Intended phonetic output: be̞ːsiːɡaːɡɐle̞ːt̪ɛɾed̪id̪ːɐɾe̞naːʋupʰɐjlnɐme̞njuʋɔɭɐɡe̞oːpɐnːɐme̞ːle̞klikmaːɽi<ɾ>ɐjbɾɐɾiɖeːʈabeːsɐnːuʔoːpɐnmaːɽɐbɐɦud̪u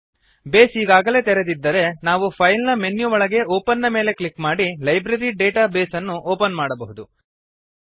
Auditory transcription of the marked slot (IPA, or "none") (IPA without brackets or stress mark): l